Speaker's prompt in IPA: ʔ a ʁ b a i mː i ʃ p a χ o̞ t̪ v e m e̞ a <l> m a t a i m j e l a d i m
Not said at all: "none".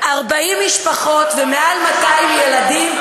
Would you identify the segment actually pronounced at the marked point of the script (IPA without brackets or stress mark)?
l